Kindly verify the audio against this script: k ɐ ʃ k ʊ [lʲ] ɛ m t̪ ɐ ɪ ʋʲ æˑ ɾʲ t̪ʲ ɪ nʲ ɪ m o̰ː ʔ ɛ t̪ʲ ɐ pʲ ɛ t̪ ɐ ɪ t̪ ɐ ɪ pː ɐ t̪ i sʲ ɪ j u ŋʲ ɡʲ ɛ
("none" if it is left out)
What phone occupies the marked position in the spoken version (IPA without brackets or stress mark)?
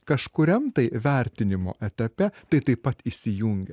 ɾʲ